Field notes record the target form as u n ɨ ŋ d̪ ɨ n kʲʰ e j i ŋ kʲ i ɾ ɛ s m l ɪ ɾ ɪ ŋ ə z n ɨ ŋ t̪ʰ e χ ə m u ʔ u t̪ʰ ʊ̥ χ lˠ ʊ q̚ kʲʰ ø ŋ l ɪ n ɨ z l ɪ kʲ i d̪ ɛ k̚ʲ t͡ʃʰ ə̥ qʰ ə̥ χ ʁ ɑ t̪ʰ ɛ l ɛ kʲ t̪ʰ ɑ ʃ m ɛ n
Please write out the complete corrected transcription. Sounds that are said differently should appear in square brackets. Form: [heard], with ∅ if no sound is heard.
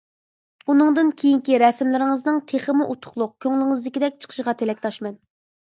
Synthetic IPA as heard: u n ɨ ŋ d̪ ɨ n kʲʰ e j i ŋ kʲ i ɾ ɛ s m l ɪ ɾ ɪ ŋ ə z n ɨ ŋ t̪ʰ e χ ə m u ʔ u t̪ʰ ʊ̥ χ lˠ ʊ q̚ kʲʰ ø ŋ l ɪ [ŋ] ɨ z l ɪ kʲ i d̪ ɛ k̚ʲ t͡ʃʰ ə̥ qʰ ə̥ [ʃ] ʁ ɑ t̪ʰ [e] l ɛ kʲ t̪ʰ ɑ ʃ m ɛ n